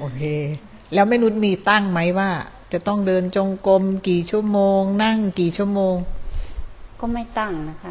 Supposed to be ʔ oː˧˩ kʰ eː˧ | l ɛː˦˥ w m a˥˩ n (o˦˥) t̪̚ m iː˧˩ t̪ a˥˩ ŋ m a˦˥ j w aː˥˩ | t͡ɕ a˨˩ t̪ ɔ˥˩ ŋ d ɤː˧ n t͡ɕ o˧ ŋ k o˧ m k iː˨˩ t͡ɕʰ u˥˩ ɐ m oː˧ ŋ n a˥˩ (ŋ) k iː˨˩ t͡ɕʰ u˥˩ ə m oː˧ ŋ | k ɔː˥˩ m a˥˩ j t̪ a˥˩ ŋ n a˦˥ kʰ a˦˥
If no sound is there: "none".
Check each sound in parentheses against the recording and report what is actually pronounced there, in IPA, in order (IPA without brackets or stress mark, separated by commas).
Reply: u˦˥, ŋ